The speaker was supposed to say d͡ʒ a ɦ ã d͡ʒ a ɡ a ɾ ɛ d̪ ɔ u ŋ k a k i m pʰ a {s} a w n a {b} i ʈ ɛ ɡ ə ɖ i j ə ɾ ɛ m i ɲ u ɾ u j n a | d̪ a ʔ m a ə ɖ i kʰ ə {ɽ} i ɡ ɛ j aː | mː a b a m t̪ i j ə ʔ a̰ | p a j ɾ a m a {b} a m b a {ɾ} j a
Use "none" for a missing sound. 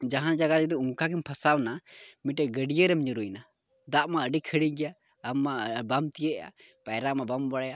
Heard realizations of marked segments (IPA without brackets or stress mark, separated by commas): s, m, ɽ, b, ɽ